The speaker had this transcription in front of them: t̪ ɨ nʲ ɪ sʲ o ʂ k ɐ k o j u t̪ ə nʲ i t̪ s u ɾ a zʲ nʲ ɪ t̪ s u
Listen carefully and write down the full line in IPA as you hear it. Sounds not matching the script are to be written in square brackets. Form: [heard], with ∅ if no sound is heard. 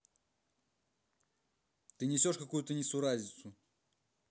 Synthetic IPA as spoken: t̪ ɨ nʲ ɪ sʲ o ʂ k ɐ k [u] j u t̪ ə nʲ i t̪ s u ɾ a zʲ nʲ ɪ t̪ s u